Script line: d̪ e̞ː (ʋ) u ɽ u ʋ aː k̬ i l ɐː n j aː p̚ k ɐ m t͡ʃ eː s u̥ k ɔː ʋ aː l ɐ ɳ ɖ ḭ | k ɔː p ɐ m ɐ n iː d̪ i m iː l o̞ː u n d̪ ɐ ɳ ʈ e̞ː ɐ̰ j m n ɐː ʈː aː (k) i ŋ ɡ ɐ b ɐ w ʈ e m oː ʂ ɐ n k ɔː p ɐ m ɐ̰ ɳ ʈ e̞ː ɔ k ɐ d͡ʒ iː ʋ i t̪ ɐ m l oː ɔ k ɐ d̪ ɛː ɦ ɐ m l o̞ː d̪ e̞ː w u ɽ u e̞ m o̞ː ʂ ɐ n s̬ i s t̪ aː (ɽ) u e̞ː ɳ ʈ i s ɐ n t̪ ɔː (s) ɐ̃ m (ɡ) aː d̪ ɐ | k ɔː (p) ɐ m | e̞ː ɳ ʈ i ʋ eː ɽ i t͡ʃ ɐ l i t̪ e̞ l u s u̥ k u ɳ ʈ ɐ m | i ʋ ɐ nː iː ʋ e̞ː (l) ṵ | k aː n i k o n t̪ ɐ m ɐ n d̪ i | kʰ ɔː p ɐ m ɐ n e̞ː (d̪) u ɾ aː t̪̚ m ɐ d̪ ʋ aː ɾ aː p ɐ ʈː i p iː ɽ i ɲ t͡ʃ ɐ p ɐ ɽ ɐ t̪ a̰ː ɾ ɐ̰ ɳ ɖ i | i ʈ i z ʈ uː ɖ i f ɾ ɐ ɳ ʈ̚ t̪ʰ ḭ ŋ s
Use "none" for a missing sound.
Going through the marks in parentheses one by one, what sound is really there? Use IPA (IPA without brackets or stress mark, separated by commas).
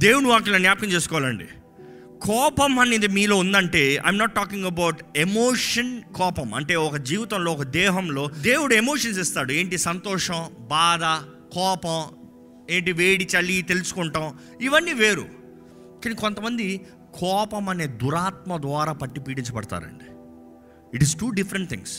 w, k, ɽ, ʂ, b, p, ɾ, d̪